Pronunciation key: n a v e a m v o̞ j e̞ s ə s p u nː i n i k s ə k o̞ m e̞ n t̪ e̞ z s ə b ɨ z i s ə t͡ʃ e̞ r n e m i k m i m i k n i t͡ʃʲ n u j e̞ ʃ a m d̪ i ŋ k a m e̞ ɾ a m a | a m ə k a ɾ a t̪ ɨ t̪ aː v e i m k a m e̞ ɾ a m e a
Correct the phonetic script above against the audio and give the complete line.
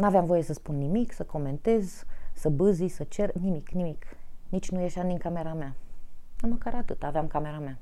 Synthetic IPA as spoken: n a v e a m v o̞ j e̞ s ə s p u nː i m i k s ə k o̞ m e̞ n t̪ e̞ z s ə b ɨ z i s ə t͡ʃ e̞ r n i m i k n i m i k n i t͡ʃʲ n u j e̞ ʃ a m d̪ i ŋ k a m e̞ ɾ a m a | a m ə k a ɾ a t̪ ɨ t̪ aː v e a m k a m e̞ ɾ a m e a